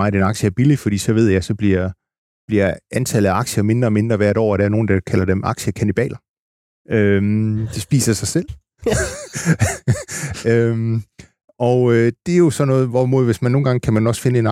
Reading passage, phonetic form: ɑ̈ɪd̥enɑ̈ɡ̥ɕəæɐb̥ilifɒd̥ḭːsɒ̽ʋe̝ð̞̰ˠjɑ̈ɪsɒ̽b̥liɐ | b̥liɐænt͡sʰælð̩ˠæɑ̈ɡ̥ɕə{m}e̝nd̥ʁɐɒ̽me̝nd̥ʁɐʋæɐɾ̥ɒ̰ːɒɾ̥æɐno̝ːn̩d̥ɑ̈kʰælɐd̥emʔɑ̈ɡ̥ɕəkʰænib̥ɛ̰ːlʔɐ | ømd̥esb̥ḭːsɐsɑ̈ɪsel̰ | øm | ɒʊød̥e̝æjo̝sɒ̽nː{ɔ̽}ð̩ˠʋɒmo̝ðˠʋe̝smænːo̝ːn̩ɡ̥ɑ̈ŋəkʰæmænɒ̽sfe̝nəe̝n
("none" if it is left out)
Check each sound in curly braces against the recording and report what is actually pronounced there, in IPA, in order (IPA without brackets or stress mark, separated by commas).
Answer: m, ɔ̽ː